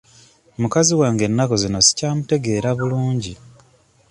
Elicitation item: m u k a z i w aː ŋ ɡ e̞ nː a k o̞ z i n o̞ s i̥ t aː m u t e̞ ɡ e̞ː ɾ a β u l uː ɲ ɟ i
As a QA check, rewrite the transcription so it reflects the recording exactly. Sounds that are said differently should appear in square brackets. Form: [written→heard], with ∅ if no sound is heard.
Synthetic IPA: m u k a z i w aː ŋ ɡ e̞ nː a k o̞ z i n o̞ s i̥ [t→c] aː m u t e̞ ɡ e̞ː ɾ a β u l uː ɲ ɟ i